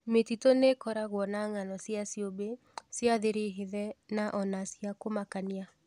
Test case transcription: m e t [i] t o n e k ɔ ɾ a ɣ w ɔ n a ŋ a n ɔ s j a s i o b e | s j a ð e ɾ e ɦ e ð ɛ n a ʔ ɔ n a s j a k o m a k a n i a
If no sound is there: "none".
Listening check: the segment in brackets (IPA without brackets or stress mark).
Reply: i